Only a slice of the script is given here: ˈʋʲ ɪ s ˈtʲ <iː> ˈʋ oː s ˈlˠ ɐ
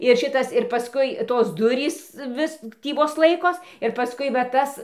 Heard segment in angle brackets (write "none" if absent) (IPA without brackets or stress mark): iː